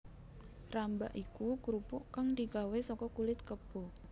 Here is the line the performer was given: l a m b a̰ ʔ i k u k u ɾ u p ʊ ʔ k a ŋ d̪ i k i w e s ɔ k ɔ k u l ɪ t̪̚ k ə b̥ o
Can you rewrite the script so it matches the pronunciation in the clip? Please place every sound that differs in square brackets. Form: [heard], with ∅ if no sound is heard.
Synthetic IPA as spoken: [r] a m b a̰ ʔ i k u k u ɾ u p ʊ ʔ k a ŋ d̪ i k [a] w e s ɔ k ɔ k u l ɪ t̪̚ k ə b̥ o